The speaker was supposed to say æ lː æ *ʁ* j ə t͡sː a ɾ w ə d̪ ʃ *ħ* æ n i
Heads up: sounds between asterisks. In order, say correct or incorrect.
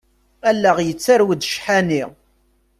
correct, correct

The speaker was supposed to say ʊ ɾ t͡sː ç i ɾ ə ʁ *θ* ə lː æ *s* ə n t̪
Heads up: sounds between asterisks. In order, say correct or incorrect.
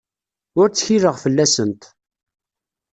incorrect, correct

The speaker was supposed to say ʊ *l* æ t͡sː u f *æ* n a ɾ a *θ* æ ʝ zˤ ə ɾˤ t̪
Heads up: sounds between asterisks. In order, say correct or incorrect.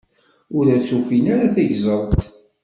incorrect, incorrect, correct

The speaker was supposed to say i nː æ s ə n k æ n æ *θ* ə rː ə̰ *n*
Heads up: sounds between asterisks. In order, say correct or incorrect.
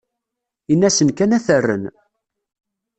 correct, correct

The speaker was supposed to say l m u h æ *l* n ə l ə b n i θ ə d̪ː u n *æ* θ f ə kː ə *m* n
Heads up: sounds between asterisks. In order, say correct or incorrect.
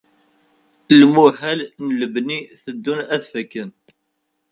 correct, correct, incorrect

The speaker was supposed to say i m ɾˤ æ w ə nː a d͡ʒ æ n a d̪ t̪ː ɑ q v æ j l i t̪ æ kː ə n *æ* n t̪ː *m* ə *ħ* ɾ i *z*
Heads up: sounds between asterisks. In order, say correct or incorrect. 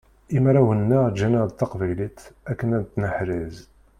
correct, incorrect, correct, correct

